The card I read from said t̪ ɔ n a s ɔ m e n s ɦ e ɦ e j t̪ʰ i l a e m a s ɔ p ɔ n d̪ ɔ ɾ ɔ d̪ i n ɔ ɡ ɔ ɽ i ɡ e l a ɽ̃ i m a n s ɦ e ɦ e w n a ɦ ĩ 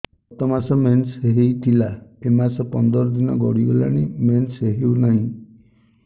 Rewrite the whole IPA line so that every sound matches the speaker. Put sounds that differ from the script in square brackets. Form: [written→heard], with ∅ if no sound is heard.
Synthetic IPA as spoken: t̪ ɔ [n→m] a s ɔ m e n s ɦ e ɦ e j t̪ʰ i l a e m a s ɔ p ɔ n d̪ ɔ ɾ ɔ d̪ i n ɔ ɡ ɔ ɽ i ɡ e l a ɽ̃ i m [a→e] n s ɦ e ɦ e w n a ɦ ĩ